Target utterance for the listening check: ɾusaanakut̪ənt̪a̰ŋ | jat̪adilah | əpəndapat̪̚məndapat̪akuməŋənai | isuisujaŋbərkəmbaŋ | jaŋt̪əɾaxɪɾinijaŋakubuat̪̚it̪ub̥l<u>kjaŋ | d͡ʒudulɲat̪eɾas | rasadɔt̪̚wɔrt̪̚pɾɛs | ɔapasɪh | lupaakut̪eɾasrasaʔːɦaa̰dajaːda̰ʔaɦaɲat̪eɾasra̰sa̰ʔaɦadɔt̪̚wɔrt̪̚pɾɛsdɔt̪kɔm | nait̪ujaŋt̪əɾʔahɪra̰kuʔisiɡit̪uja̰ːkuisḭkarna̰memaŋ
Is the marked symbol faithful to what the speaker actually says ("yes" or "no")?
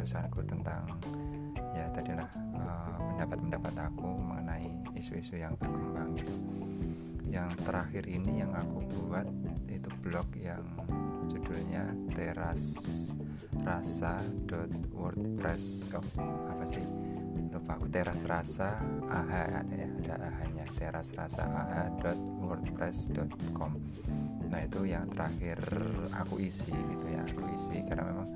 no